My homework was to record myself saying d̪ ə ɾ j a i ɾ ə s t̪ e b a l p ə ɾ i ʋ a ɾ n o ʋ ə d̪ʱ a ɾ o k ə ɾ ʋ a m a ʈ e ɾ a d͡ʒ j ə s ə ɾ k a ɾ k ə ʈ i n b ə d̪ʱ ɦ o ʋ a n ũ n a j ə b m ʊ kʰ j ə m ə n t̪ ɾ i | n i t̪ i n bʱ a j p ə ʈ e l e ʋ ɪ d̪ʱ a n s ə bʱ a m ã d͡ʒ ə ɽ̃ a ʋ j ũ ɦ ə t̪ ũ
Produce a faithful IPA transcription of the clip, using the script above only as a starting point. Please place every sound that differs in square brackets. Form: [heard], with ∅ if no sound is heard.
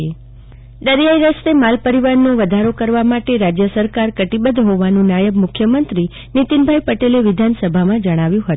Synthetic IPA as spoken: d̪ ə ɾ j a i ɾ ə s t̪ e [m] a l p ə ɾ i ʋ a ɾ n o ʋ ə d̪ʱ a ɾ o k ə ɾ ʋ a m a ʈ e ɾ a d͡ʒ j ə s ə ɾ k a ɾ k ə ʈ i [∅] b ə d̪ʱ ɦ o ʋ a n ũ n a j ə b m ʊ kʰ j ə m ə n t̪ ɾ i | n i t̪ i n bʱ a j p ə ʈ e l e ʋ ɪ d̪ʱ a n s ə bʱ a m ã d͡ʒ ə ɽ̃ a ʋ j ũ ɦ ə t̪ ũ